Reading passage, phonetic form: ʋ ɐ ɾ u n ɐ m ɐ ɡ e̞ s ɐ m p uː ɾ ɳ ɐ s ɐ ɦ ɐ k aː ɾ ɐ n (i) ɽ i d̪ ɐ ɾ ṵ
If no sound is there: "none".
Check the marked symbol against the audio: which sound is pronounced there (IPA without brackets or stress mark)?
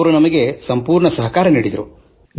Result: iː